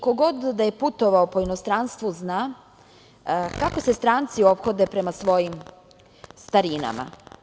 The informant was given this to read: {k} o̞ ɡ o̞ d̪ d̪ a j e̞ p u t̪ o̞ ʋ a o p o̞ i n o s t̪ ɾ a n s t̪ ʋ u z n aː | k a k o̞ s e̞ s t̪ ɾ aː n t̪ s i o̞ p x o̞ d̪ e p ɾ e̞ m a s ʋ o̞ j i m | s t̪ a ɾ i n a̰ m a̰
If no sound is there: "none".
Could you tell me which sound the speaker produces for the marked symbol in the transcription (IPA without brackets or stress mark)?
k